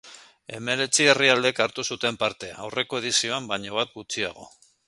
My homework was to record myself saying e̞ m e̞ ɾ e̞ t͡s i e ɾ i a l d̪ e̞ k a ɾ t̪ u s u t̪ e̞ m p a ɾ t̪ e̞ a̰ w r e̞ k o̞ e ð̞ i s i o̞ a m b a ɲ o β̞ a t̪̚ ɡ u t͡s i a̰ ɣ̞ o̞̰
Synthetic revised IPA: e̞ m e̞ ɾ e̞ t͡s i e r i a l d̪ e̞ k a ɾ t̪ u s u t̪ e̞ m p a ɾ t̪ e̞ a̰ w r e̞ k o̞ e ð̞ i s i o̞ a m b a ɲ o β̞ a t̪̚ ɡ u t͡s i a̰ ɣ̞ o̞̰